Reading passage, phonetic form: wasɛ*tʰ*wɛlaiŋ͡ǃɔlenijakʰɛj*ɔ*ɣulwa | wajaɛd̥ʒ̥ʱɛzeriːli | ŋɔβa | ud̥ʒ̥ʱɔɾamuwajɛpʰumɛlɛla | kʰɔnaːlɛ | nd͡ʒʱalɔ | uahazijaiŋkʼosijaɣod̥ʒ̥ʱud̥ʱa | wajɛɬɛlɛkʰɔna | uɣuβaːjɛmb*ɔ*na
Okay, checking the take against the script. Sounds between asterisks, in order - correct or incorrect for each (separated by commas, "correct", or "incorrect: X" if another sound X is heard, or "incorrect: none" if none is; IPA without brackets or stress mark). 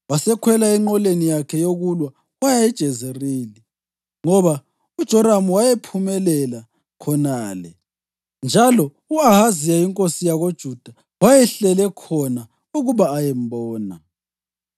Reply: incorrect: kʰ, incorrect: o, incorrect: ɔː